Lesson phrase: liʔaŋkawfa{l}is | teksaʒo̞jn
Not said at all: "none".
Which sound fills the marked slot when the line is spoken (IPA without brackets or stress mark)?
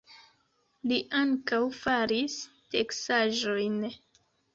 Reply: ɾ